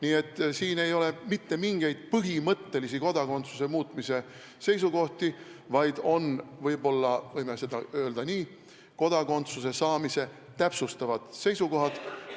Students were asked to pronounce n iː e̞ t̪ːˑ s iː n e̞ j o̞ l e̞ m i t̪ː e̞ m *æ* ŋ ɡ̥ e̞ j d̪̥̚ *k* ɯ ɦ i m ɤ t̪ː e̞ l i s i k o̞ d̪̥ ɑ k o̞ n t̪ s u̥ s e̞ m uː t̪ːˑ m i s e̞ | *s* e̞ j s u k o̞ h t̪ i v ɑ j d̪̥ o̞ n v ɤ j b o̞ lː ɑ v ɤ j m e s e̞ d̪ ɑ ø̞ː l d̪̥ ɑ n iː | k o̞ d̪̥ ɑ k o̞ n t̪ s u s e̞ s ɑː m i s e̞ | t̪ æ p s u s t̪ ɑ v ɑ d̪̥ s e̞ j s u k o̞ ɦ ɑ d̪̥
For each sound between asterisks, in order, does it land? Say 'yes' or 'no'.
no, no, yes

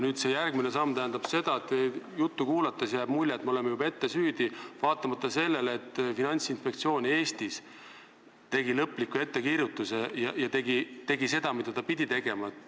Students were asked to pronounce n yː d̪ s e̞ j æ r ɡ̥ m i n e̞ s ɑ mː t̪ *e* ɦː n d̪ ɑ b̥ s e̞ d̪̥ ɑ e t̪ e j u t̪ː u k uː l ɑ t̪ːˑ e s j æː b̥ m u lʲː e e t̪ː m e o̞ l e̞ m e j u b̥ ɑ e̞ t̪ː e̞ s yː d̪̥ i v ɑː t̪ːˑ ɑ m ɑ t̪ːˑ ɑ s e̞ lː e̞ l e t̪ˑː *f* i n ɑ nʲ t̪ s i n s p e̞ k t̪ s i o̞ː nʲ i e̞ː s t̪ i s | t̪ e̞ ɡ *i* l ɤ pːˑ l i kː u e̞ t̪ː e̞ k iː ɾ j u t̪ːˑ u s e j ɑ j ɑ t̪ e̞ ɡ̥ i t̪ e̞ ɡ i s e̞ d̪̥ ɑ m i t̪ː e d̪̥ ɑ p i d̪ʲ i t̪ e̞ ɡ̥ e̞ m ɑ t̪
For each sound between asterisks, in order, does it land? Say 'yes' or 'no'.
no, yes, yes

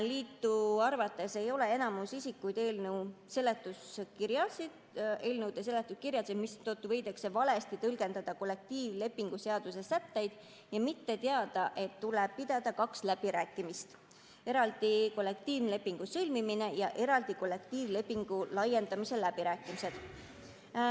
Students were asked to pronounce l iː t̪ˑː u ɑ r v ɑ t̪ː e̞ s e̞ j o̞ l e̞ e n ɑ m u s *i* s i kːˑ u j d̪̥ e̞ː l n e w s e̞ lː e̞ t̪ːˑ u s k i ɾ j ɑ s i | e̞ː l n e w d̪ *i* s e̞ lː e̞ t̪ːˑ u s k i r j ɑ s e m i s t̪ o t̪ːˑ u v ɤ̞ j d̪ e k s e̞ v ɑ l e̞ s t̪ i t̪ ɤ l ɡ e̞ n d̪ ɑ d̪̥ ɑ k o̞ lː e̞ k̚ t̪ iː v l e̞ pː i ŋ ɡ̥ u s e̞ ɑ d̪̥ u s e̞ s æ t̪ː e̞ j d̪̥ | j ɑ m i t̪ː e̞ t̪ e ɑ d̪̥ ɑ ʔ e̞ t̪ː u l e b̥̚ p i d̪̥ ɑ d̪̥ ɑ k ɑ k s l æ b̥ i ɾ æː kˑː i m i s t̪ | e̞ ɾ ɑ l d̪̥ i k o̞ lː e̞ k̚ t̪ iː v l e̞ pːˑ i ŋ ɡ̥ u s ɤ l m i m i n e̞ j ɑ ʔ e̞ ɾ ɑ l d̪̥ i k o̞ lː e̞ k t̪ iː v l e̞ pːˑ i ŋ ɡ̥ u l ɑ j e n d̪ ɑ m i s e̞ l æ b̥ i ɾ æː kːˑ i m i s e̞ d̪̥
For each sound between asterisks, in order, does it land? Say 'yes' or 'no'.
yes, no

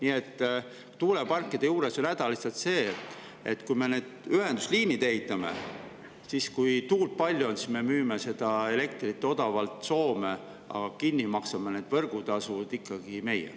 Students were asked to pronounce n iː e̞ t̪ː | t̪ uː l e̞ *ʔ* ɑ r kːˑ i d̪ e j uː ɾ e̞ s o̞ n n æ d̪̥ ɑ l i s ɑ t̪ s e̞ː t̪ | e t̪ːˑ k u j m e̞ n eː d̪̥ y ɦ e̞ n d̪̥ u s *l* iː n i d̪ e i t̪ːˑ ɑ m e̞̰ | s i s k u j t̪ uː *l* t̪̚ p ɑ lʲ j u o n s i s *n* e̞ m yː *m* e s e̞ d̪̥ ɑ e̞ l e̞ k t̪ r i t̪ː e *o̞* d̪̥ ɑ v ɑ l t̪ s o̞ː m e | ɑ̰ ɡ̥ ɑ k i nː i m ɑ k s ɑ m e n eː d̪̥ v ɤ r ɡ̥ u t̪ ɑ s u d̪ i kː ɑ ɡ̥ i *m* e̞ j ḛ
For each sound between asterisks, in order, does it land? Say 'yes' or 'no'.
no, yes, yes, no, yes, yes, yes

